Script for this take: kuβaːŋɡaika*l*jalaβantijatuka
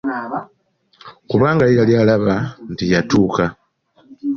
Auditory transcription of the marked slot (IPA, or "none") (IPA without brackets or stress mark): l